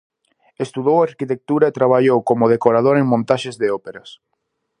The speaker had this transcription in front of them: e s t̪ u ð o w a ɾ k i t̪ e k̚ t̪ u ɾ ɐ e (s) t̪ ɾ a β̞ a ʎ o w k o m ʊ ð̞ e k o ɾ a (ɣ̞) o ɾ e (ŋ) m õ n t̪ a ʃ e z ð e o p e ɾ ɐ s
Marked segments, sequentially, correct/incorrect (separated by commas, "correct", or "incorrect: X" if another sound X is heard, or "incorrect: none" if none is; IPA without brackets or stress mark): incorrect: none, incorrect: ð̞, correct